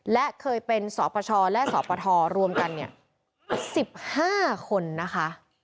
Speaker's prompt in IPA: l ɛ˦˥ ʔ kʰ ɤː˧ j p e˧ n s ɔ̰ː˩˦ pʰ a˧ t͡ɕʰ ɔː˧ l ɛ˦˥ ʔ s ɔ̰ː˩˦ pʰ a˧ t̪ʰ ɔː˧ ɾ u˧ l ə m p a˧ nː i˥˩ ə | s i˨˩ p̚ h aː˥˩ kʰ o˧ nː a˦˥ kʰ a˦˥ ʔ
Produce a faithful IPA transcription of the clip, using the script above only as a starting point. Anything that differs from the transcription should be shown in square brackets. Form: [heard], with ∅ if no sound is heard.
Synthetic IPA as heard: l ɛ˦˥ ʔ kʰ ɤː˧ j p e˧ n s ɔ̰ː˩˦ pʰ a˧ t͡ɕʰ ɔː˧ l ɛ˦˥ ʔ s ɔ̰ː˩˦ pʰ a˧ t̪ʰ ɔː˧ ɾ u˧ [∅] ə m [k] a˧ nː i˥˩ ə | s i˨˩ p̚ h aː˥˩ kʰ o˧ nː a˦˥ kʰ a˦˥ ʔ